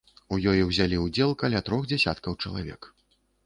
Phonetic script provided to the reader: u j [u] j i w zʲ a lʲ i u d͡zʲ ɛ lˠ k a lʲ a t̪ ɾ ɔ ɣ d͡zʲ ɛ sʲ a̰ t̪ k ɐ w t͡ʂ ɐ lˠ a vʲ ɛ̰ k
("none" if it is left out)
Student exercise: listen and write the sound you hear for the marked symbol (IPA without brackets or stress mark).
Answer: ɔ